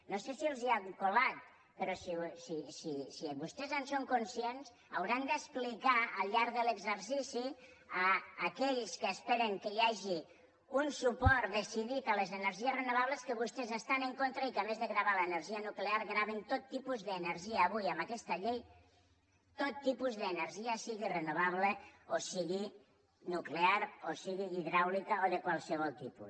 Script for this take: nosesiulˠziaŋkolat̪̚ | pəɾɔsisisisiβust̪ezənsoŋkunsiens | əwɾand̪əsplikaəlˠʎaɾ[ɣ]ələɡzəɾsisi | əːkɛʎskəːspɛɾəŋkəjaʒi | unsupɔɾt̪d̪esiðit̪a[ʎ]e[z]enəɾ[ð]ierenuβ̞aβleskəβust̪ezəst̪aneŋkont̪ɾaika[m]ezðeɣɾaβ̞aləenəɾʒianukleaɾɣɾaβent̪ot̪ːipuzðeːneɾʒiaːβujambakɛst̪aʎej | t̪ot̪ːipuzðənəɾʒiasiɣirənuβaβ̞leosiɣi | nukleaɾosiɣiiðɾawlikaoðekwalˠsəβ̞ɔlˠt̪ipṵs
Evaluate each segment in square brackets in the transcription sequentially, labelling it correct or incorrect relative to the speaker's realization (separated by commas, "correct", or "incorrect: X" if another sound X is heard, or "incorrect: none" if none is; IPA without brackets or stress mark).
incorrect: ð, incorrect: l, correct, incorrect: ʒ, correct